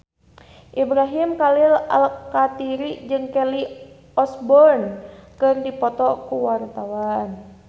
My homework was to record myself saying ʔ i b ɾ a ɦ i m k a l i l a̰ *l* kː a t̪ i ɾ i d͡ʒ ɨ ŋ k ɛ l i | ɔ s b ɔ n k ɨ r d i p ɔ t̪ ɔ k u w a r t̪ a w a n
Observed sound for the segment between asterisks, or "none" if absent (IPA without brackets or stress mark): l